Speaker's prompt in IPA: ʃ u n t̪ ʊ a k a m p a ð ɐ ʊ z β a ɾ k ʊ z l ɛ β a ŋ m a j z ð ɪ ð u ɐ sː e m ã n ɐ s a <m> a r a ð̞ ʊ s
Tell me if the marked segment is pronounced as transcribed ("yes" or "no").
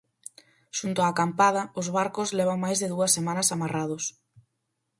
yes